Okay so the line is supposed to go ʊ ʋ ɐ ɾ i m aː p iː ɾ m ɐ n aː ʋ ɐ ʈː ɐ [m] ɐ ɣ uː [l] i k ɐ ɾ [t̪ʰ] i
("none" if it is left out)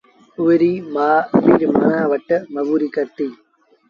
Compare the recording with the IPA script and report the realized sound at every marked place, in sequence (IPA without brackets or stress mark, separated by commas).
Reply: m, ɾ, t̪